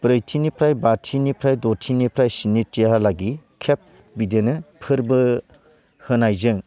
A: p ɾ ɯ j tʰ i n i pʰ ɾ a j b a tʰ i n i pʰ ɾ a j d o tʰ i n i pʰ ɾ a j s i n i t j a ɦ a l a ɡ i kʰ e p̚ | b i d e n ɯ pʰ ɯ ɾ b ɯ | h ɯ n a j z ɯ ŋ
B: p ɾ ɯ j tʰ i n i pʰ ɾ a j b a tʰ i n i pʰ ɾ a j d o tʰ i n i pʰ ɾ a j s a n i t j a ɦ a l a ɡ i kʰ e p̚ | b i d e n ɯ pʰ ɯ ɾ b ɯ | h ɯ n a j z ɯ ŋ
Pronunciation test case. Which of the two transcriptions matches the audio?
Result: A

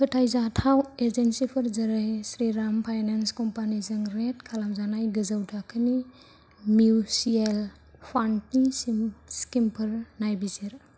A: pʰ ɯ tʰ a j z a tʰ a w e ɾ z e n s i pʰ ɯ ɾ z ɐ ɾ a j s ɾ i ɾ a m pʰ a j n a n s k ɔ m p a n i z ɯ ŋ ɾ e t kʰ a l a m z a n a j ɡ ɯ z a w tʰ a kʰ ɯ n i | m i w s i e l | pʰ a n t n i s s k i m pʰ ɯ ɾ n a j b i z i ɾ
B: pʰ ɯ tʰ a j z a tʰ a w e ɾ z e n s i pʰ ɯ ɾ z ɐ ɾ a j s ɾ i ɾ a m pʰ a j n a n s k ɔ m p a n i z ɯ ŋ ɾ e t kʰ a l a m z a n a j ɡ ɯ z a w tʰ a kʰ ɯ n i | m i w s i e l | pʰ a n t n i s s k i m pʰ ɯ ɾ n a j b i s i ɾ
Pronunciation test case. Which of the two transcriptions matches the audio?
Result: A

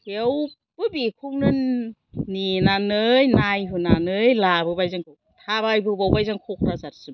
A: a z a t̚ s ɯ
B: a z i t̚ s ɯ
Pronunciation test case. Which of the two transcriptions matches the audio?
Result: A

